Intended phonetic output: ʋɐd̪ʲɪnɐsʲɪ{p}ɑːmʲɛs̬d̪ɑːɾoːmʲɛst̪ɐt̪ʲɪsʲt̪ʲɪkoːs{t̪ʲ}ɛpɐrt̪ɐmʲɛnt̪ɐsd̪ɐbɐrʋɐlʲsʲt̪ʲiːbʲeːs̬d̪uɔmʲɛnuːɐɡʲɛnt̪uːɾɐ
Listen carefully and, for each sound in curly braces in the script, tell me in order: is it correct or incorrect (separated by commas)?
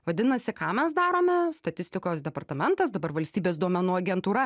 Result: incorrect, incorrect